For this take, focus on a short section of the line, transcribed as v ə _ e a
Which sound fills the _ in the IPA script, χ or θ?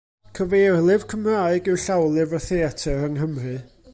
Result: θ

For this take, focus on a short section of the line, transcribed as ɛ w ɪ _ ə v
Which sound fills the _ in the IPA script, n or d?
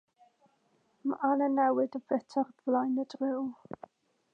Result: d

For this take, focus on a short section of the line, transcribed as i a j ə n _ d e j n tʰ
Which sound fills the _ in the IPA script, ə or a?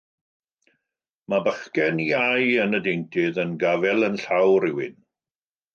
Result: ə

